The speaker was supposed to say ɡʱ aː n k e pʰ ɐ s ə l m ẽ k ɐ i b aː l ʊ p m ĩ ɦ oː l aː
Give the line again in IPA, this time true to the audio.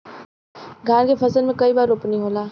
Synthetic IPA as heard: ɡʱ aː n k e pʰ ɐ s ə l m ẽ k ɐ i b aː ɾ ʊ p n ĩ ɦ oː l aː